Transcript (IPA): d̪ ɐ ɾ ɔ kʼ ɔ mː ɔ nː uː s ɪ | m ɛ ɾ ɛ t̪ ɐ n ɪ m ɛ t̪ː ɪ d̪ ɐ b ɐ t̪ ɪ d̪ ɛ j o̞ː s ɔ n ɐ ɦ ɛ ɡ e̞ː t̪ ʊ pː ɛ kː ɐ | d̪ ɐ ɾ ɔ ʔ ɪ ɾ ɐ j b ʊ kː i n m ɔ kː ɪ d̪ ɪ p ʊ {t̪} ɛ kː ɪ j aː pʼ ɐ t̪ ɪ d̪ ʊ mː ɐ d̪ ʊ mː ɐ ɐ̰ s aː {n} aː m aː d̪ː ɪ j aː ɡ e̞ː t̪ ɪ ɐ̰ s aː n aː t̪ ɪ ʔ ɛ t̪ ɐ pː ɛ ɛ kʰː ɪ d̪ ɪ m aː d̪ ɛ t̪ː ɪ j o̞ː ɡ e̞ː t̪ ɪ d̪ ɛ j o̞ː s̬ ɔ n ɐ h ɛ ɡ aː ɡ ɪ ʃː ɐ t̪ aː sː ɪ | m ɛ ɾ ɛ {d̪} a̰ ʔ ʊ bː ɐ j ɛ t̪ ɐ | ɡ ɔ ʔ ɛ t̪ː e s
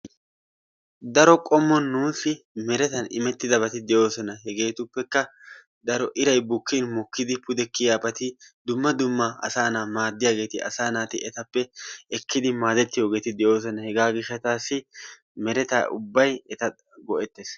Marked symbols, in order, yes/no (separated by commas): no, yes, no